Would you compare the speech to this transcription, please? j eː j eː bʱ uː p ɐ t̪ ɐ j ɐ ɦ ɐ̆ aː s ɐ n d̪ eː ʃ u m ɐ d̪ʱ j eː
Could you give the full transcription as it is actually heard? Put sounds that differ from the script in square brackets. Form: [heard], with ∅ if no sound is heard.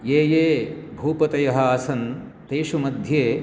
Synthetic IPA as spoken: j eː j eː bʱ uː p ɐ t̪ ɐ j ɐ ɦ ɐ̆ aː s ɐ n [t̪] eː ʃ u m ɐ d̪ʱ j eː